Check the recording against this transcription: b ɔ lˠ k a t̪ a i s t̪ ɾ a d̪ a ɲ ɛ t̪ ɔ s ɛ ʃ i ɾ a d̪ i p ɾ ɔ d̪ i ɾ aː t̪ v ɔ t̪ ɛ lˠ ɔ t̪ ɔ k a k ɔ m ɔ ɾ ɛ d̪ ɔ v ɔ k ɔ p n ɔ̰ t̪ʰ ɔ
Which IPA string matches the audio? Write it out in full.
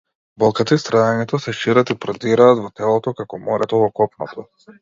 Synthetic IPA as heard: b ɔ lˠ k a t̪ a i s t̪ ɾ a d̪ a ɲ ɛ t̪ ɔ s ɛ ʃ i ɾ a t̪ i p ɾ ɔ d̪ i ɾ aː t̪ v ɔ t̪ ɛ lˠ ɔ t̪ ɔ k a k ɔ m ɔ ɾ ɛ t̪ ɔ v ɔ k ɔ p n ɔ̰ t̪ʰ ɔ

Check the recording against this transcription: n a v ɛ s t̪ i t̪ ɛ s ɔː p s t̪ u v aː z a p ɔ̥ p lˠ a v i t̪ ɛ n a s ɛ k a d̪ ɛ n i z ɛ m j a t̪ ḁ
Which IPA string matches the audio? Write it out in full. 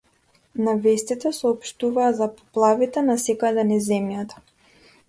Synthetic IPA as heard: n a v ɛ s t̪ i t̪ ɛ s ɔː p ʃ t̪ u v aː z a p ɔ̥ p lˠ a v i t̪ ɛ n a s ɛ k a d̪ ɛ n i z ɛ m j a t̪ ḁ

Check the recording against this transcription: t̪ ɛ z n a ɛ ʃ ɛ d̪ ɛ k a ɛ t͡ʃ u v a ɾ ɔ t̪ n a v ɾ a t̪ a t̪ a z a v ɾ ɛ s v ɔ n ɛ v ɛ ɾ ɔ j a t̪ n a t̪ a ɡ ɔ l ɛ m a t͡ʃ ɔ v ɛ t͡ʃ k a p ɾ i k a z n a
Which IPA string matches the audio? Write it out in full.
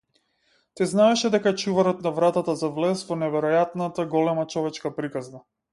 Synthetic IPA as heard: t̪ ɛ z n a ɛ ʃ ɛ d̪ ɛ k a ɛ t͡ʃ u v a ɾ ɔ t̪ n a v ɾ a t̪ a t̪ a z a v l ɛ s v ɔ n ɛ v ɛ ɾ ɔ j a t̪ n a t̪ a ɡ ɔ l ɛ m a t͡ʃ ɔ v ɛ t͡ʃ k a p ɾ i k a z n a

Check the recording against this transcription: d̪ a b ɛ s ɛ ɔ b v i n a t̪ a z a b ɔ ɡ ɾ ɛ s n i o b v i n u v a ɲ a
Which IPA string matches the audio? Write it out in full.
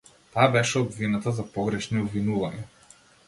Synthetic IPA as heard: t̪ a b ɛ ʃ ɛ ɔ b v i n a t̪ a z a p ɔ ɡ ɾ ɛ ʃ n i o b v i n u v a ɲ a

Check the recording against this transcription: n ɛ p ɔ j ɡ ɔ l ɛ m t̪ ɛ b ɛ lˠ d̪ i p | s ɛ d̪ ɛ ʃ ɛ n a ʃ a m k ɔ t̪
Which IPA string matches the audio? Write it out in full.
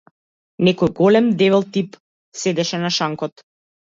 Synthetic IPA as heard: n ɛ k ɔ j ɡ ɔ l ɛ m d̪ ɛ v ɛ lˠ t̪ i p | s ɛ d̪ ɛ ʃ ɛ n a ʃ a ŋ k ɔ t̪

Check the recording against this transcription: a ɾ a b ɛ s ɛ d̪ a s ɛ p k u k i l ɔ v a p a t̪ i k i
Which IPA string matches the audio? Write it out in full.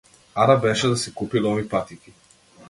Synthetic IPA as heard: a ɾ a b ɛ ʃ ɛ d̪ a s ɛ k u p i l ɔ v i p a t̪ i k i

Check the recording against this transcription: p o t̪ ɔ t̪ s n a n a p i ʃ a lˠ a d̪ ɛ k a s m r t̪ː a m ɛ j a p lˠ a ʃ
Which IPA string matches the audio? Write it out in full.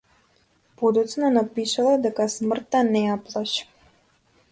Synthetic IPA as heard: p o d̪ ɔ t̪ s n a n a p i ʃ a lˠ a d̪ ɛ k a s m r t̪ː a n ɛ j a p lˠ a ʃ

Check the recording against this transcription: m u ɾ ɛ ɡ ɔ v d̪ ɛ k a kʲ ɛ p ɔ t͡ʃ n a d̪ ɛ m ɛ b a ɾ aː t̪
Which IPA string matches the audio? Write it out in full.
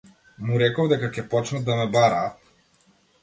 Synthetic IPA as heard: m u ɾ ɛ k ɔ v d̪ ɛ k a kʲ ɛ p ɔ t͡ʃ n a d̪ a m ɛ b a ɾ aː t̪

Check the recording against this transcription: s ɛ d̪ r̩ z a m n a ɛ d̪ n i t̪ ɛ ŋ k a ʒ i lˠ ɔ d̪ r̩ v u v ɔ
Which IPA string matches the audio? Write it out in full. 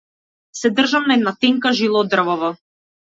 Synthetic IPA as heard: s ɛ d̪ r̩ ʒ a m n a ɛ d̪ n a t̪ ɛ ŋ k a ʒ i lˠ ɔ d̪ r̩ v ɔ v ɔ

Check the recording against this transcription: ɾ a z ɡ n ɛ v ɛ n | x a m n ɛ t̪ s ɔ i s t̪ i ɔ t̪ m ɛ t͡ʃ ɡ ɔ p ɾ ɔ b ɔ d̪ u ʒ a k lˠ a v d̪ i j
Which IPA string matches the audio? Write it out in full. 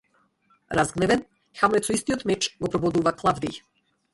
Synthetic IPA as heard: ɾ a z ɡ n ɛ v ɛ n | x a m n ɛ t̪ s ɔ i s t̪ i ɔ t̪ m ɛ t͡ʃ ɡ ɔ p ɾ ɔ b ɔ d̪ u v a k lˠ a v d̪ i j

